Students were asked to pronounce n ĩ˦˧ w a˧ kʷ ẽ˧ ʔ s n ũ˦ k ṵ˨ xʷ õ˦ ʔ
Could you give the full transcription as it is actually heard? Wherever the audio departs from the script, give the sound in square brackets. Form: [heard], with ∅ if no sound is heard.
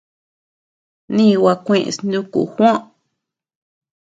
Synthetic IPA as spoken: n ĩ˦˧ w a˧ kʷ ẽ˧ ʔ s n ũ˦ k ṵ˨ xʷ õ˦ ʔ